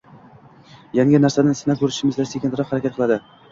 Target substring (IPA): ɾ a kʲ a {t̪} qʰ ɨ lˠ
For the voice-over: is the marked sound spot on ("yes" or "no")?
yes